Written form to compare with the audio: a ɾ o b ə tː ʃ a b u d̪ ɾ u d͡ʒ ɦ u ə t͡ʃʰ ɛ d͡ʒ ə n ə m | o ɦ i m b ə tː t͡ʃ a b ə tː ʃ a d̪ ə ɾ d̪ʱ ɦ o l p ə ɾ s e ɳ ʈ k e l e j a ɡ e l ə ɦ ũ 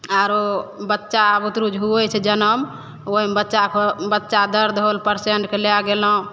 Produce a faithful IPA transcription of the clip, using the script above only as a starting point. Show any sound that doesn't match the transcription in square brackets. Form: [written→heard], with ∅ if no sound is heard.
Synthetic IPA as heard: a ɾ o b ə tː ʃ a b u [d̪→t̪] ɾ u d͡ʒ ɦ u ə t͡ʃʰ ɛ d͡ʒ ə n ə m | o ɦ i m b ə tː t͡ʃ a b ə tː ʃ a d̪ ə ɾ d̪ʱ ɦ o l p ə ɾ s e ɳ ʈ k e l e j a ɡ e l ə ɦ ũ